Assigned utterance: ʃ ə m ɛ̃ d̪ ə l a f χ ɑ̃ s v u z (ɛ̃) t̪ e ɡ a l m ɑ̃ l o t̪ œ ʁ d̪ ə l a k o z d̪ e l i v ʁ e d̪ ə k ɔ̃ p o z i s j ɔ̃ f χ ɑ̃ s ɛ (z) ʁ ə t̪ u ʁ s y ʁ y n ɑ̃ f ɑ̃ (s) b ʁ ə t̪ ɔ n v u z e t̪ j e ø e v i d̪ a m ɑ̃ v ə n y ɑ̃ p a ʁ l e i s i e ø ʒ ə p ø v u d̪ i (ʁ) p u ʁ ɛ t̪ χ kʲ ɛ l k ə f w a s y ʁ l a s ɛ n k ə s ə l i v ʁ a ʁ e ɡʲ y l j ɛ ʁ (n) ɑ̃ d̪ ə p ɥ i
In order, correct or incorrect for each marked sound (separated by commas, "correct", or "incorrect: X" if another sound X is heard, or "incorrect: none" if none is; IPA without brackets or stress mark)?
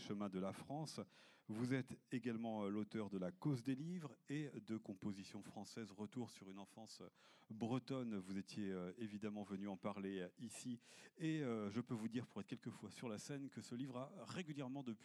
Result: incorrect: ɛ, correct, correct, correct, incorrect: m